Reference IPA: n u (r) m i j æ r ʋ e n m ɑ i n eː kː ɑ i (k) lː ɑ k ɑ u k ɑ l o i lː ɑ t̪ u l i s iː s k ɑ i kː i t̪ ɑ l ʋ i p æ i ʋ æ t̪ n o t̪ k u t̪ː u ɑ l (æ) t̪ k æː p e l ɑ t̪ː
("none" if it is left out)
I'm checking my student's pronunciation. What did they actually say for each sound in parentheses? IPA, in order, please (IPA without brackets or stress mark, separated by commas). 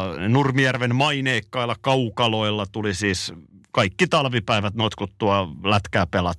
r, none, æ